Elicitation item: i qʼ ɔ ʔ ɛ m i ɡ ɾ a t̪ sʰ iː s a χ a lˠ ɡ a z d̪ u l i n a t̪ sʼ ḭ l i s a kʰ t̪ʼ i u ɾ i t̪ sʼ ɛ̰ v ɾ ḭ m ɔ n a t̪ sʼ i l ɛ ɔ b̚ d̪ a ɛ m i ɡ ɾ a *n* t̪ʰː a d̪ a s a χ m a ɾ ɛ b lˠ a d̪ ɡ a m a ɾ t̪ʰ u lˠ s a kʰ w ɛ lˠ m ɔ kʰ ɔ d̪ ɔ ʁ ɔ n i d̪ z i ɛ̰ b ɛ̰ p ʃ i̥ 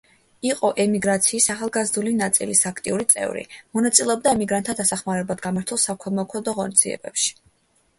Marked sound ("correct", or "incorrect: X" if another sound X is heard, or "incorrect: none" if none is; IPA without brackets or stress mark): correct